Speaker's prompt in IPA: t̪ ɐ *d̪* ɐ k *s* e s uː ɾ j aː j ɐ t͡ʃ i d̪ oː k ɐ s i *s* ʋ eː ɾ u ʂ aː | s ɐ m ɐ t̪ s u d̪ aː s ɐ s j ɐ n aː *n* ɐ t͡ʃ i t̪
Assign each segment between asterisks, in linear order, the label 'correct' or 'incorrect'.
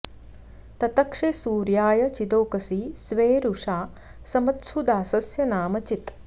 incorrect, incorrect, correct, incorrect

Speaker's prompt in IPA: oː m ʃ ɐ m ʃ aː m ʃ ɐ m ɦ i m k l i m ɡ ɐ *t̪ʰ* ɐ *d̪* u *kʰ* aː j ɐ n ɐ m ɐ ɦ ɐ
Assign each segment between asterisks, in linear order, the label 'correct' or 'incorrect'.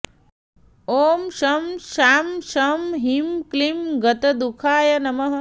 incorrect, correct, correct

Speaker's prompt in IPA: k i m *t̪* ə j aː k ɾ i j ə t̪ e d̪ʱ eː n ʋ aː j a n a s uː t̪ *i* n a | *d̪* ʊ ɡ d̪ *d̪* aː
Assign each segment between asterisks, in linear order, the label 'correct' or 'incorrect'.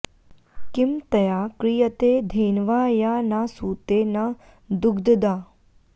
correct, incorrect, correct, correct

